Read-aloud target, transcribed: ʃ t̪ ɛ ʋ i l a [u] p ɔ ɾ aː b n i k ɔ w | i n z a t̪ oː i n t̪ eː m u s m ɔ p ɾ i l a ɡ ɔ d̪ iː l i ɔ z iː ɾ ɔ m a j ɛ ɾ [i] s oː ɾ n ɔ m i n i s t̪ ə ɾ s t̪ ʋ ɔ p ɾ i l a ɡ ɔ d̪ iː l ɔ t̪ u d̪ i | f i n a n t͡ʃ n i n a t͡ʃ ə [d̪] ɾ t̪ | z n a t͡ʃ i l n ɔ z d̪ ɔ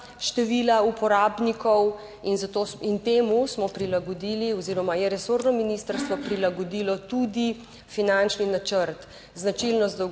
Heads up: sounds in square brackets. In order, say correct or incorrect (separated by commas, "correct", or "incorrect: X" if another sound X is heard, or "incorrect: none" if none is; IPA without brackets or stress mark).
correct, incorrect: ɛ, incorrect: none